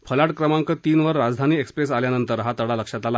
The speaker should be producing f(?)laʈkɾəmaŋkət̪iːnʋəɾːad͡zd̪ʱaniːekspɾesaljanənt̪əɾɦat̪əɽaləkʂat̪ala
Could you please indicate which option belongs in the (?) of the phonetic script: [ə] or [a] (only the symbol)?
ə